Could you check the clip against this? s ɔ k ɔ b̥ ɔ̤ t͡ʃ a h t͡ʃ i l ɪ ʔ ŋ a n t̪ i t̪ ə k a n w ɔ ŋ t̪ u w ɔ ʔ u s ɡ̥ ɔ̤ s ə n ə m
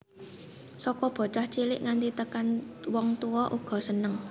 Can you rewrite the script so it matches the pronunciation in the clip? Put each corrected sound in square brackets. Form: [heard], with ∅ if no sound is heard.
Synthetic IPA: s ɔ k ɔ b̥ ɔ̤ t͡ʃ a h t͡ʃ i l ɪ ʔ ŋ a n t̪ i t̪ ə k a n w ɔ ŋ t̪ u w ɔ ʔ u [∅] ɡ̥ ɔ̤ s ə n ə [ŋ]